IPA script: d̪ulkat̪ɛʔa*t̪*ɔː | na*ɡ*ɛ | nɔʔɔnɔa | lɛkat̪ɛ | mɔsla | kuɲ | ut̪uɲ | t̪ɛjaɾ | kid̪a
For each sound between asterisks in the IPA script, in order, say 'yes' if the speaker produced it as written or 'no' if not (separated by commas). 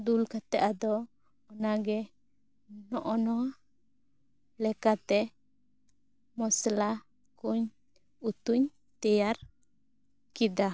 no, yes